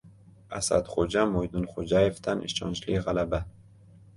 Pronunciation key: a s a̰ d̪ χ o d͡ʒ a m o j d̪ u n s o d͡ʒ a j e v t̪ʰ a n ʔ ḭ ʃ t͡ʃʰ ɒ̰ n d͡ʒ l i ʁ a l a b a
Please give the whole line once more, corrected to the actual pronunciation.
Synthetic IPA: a s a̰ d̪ χ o d͡ʒ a m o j d̪ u n χ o d͡ʒ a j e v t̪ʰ a n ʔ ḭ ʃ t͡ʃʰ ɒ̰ n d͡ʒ l i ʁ a l a b a